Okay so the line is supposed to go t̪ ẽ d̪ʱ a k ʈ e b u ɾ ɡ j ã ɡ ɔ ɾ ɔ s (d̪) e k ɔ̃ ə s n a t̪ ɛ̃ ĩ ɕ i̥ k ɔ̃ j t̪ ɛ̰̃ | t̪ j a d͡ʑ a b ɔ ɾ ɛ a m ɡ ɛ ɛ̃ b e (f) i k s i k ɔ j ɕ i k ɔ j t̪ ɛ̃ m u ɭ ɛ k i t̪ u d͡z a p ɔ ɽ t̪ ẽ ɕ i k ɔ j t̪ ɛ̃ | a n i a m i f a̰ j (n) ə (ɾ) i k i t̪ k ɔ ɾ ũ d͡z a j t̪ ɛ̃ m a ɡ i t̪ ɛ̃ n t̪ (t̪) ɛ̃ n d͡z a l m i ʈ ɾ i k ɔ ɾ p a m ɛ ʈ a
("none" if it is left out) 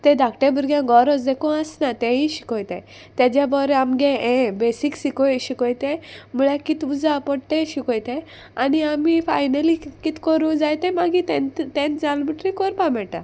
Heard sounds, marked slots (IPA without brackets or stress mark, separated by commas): d̪, s, n, l, t̪